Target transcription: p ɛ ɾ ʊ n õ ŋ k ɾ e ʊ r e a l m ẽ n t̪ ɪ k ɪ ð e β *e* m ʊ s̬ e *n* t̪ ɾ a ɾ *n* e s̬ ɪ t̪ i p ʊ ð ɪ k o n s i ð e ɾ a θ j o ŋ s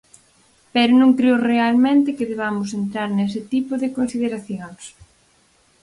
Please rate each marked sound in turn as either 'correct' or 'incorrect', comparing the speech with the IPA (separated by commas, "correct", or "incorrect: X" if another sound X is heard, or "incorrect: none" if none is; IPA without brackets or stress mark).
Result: incorrect: a, correct, correct